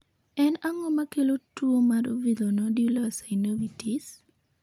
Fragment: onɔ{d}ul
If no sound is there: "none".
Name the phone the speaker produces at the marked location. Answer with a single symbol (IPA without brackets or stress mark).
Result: d